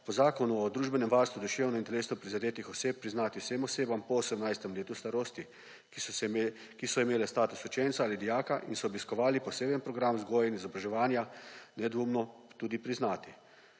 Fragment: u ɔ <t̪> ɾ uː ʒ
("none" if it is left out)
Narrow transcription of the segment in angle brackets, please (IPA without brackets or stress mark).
d̪